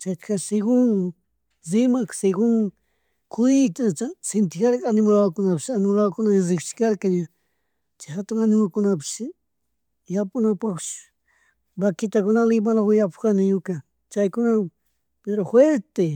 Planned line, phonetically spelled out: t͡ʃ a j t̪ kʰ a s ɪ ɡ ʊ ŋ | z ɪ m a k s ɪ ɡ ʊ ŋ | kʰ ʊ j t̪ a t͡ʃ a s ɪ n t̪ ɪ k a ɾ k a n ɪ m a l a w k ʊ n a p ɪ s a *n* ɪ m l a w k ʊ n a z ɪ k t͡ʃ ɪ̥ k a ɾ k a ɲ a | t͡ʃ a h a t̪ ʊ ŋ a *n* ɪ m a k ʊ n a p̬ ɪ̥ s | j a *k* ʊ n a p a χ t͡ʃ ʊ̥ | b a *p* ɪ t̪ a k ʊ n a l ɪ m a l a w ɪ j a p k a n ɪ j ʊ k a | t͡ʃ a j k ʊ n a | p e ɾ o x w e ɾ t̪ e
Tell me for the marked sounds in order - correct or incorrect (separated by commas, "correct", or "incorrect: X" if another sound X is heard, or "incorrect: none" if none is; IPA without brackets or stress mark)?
correct, correct, incorrect: p, incorrect: k